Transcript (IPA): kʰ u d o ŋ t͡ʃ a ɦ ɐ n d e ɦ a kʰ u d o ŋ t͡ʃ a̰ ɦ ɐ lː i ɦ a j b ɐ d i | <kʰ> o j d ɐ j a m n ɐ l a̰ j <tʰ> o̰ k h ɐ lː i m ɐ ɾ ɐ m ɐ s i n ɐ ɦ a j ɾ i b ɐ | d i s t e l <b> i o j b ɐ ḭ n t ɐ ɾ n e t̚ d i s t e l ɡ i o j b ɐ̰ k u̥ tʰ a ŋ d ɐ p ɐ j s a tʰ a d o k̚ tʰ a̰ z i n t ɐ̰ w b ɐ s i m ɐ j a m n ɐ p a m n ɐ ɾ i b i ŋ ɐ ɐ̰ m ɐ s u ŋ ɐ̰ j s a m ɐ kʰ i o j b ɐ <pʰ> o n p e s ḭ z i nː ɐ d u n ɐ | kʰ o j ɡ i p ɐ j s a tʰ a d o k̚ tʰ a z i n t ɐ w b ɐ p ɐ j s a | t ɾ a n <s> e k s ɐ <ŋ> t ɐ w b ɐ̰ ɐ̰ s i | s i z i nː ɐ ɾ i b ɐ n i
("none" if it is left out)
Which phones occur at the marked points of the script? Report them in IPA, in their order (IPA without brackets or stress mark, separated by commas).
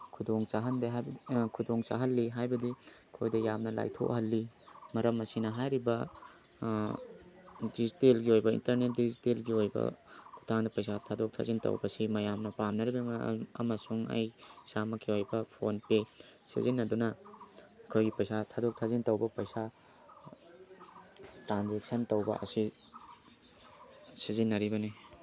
kʰ, tʰ, ɡ, pʰ, z, n